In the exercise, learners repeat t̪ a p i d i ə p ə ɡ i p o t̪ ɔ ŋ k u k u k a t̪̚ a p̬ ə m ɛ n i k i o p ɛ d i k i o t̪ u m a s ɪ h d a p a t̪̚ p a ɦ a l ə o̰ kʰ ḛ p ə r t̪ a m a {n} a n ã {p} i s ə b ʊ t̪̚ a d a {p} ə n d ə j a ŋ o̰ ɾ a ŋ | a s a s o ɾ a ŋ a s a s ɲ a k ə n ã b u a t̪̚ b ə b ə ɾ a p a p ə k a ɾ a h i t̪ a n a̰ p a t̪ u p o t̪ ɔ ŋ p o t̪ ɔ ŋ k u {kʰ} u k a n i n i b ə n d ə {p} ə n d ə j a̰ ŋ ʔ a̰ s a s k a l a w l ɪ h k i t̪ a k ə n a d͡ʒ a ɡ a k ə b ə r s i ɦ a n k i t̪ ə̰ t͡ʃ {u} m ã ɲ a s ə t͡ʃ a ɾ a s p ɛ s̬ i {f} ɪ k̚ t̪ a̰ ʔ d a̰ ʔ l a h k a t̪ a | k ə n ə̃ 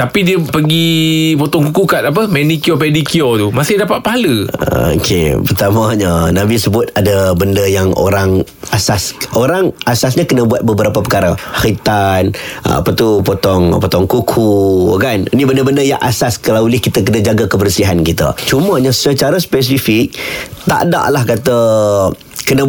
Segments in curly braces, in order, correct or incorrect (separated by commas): incorrect, incorrect, incorrect, correct, incorrect, correct, correct